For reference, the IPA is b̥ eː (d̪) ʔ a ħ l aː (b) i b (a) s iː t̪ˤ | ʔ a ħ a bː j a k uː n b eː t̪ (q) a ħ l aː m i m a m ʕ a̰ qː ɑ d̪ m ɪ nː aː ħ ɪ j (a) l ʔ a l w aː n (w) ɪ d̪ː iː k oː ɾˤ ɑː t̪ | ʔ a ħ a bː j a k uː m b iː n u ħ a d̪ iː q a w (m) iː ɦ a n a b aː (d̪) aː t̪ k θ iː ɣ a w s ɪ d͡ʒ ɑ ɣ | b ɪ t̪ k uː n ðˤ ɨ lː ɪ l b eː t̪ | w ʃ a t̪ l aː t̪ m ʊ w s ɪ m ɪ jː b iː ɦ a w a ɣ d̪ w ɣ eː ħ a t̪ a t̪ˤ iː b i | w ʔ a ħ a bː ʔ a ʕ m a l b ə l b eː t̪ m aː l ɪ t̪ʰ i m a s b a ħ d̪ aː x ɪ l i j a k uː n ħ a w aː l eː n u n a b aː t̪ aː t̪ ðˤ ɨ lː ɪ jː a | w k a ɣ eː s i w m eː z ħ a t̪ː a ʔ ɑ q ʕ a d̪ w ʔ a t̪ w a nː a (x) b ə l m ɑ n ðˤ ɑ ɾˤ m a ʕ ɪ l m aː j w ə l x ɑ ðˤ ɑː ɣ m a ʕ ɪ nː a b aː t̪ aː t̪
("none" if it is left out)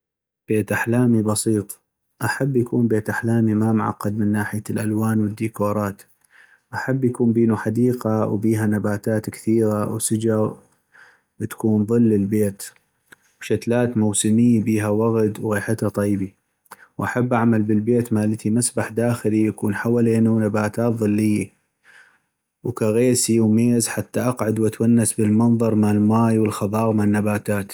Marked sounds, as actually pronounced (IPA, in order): t̪, m, ɑ, ʔ, a, w, b, t̪, s

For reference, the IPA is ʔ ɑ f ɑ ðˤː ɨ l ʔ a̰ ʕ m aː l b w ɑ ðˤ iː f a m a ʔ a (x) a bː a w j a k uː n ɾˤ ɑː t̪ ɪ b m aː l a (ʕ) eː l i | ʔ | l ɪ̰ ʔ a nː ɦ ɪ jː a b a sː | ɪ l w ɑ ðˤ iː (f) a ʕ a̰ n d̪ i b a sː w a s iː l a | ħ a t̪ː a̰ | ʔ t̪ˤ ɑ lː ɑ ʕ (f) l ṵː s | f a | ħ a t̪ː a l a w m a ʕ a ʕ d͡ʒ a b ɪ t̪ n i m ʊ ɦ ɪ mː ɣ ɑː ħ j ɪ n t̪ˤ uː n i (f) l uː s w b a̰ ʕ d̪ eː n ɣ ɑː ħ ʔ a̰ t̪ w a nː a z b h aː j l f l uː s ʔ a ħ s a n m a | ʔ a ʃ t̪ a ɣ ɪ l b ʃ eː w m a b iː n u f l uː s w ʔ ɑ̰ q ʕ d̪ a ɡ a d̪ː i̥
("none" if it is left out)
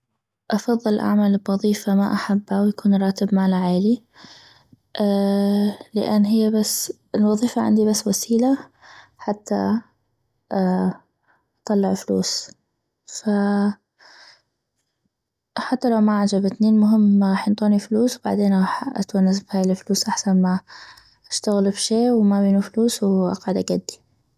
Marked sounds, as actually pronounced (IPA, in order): ħ, ʕ, f, f, f

